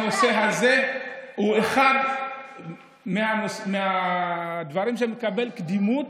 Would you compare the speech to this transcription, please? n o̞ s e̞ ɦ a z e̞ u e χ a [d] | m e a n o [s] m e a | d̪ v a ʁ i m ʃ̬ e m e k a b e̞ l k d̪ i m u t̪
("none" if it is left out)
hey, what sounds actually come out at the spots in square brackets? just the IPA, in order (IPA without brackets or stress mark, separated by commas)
d, s